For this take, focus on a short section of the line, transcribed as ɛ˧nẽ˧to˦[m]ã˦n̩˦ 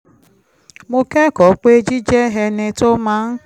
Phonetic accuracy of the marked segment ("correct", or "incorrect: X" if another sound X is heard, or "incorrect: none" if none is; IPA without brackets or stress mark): correct